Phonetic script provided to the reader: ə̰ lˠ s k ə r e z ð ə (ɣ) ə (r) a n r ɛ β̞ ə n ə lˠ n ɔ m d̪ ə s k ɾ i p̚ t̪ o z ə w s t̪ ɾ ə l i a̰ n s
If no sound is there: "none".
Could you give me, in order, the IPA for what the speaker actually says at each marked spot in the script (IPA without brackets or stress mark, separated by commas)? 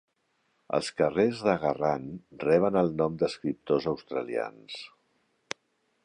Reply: ɣ, r